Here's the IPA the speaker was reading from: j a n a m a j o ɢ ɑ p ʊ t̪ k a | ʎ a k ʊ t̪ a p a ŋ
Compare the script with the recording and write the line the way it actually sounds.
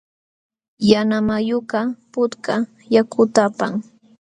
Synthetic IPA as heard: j a n a m a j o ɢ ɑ p ʊ t̪ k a | j a k ʊ t̪ a p a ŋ